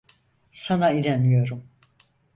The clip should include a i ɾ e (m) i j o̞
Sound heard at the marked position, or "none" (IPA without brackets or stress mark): n